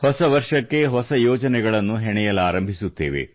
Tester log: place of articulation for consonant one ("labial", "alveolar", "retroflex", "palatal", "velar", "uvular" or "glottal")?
glottal